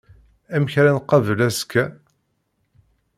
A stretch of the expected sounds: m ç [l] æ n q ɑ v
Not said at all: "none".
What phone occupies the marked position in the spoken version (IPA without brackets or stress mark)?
ɾ